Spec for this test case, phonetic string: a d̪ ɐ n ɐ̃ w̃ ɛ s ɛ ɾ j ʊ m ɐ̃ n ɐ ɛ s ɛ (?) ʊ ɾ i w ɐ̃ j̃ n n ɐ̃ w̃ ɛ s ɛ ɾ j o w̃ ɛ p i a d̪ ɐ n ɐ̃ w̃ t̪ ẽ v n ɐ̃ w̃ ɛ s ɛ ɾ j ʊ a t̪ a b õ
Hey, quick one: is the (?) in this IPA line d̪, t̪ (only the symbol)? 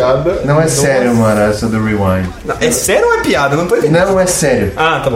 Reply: d̪